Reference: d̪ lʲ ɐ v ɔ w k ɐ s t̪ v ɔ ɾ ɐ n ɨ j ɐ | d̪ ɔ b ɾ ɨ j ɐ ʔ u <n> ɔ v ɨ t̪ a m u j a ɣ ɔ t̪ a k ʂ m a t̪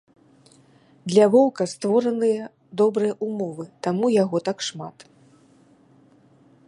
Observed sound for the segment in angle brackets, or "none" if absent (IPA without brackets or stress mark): m